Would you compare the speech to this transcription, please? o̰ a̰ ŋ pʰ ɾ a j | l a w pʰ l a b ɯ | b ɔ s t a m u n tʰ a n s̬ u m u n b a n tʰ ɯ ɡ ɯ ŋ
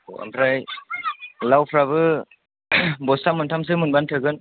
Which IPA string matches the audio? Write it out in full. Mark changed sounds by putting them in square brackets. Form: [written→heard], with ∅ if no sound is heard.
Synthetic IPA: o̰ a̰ [ŋ→m] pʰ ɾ a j | l a w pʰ [l→ɾ] a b ɯ | b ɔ s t a m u n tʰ a [n→m] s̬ [u→ɯ] m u n b a n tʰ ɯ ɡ ɯ [ŋ→n]